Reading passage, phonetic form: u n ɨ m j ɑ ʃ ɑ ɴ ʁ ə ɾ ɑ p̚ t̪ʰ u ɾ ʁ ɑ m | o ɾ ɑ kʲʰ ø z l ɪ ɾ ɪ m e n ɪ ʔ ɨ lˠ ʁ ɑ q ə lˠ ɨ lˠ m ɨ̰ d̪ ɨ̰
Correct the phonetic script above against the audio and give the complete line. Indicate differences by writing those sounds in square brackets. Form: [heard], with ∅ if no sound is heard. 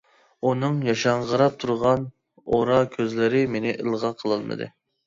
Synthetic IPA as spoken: u n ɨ [ŋ] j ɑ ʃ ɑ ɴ ʁ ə ɾ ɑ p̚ t̪ʰ u ɾ ʁ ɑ [n] | o ɾ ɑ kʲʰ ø z l ɪ ɾ ɪ m e n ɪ ʔ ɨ lˠ ʁ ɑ [qʰ] ə lˠ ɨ lˠ m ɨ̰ d̪ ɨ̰